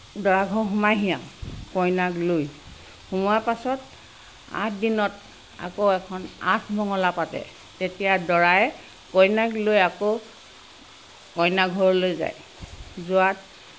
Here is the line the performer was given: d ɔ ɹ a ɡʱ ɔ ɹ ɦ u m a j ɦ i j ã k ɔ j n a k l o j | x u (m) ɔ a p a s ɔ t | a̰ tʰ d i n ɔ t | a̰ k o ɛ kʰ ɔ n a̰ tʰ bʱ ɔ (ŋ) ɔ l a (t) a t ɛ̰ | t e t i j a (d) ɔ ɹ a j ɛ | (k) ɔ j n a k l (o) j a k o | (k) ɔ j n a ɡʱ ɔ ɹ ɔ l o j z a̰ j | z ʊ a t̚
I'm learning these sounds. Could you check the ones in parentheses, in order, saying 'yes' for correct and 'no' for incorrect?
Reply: yes, yes, no, yes, yes, yes, yes

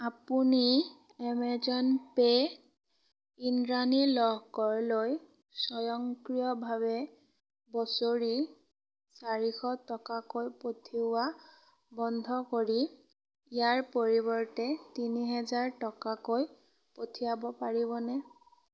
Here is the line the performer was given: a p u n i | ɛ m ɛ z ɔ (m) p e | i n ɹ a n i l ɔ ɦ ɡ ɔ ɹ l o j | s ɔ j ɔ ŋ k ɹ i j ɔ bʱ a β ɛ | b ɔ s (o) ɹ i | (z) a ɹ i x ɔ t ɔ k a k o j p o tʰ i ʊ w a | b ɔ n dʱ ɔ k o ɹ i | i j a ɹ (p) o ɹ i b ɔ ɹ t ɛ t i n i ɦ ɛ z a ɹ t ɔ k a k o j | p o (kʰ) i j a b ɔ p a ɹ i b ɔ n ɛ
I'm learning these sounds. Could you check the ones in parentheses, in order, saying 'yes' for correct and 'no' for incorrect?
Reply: no, yes, no, yes, no

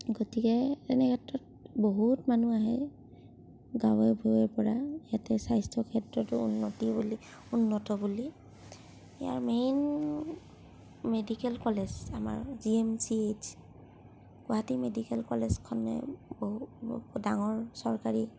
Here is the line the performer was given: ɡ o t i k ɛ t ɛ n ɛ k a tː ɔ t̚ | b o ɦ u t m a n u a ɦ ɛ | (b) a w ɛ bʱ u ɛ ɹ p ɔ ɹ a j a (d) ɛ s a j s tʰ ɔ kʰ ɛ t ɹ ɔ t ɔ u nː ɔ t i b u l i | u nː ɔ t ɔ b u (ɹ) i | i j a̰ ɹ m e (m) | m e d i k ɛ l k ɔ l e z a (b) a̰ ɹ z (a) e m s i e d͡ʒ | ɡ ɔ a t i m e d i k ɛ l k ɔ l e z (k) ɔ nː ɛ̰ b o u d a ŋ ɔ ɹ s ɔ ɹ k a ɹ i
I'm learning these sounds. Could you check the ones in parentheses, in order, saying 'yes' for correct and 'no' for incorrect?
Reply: no, no, no, no, no, no, no

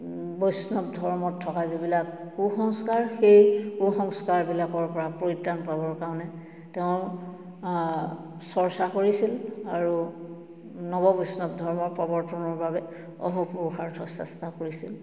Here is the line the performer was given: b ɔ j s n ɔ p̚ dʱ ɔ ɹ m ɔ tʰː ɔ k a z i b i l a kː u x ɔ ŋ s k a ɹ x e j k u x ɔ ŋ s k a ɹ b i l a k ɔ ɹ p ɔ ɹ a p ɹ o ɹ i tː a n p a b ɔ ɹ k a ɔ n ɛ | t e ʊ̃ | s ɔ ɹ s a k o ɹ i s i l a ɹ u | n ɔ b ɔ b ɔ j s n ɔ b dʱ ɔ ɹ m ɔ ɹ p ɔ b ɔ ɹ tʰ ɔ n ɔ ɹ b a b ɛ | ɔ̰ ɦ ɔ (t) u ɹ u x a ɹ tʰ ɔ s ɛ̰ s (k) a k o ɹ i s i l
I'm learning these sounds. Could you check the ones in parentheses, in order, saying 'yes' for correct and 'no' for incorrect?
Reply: no, no

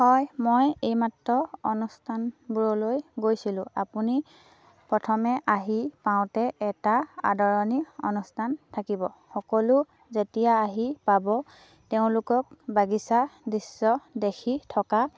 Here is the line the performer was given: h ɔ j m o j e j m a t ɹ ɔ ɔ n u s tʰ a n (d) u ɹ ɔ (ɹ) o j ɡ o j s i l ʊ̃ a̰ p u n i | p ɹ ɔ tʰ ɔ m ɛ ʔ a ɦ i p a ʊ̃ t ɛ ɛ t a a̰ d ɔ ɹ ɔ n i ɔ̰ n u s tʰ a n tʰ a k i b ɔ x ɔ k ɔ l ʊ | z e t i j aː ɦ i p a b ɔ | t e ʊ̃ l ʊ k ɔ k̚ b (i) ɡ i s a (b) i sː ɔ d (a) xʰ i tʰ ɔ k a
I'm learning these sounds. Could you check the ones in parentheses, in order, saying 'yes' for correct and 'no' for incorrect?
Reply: no, no, no, no, no

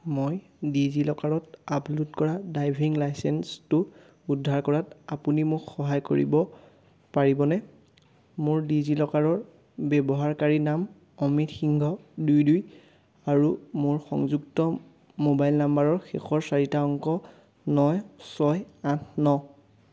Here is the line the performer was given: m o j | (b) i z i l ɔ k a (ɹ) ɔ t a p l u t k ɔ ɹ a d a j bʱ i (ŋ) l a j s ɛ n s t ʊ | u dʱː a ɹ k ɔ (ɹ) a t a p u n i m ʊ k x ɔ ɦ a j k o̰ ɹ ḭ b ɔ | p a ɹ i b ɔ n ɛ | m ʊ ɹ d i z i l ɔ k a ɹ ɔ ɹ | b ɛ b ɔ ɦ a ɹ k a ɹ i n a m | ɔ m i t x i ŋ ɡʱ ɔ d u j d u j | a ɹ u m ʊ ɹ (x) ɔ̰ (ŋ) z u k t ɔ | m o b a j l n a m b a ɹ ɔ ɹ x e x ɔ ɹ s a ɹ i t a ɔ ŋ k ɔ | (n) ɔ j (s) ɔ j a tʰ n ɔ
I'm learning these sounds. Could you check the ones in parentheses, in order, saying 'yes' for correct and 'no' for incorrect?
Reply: no, yes, yes, yes, yes, yes, yes, yes

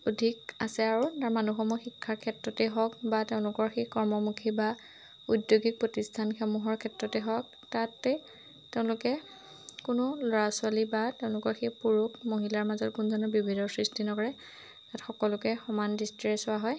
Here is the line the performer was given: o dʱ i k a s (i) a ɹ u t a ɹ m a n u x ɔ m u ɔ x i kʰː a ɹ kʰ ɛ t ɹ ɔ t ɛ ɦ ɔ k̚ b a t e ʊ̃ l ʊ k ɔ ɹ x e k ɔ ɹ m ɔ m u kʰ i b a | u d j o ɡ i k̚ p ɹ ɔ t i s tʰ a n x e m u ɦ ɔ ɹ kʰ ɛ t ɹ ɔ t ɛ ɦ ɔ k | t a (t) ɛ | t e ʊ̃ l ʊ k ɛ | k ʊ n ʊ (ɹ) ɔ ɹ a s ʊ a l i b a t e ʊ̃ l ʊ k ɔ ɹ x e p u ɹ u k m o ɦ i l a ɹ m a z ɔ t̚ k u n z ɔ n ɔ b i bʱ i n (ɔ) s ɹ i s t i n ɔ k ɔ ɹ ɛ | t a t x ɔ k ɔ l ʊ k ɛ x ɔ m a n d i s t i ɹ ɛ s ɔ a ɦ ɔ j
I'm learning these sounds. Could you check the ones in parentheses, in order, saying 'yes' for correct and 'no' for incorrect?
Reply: no, yes, no, yes

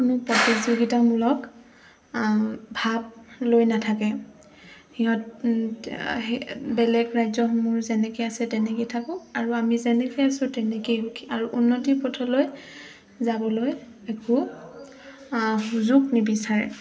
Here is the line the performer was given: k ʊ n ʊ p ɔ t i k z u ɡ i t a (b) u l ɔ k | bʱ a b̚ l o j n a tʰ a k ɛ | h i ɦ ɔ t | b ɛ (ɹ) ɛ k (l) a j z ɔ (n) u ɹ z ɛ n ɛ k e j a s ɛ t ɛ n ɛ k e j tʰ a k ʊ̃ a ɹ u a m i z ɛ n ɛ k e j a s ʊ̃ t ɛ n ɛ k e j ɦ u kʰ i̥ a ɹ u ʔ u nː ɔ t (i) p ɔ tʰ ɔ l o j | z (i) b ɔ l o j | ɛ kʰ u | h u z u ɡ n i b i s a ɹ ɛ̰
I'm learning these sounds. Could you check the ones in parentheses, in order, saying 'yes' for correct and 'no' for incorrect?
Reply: no, no, no, no, yes, no

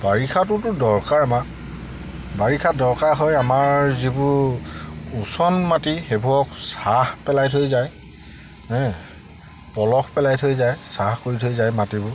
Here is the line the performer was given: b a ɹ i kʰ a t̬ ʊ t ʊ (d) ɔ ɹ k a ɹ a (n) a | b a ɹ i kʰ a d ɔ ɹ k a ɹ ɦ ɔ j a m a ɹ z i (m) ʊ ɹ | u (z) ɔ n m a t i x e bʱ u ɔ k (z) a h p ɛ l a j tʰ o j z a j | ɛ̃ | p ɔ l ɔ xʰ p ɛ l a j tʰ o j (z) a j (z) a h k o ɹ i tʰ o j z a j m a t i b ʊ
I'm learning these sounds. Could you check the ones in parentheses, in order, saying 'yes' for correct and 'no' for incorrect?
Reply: yes, no, no, no, no, yes, no

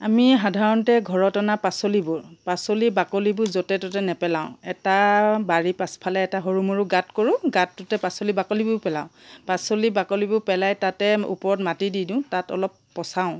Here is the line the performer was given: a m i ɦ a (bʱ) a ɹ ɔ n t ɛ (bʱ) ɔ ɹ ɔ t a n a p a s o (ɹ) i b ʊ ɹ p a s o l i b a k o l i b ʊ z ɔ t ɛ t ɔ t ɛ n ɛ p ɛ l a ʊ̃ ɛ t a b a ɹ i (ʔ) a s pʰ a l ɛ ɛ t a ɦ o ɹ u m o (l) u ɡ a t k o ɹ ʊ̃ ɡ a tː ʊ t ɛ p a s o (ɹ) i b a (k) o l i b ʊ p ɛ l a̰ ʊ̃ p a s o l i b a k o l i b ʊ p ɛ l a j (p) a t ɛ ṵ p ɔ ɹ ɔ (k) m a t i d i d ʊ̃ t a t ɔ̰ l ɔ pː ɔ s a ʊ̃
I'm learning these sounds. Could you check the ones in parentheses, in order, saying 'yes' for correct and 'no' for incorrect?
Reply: no, no, no, no, no, no, yes, no, no

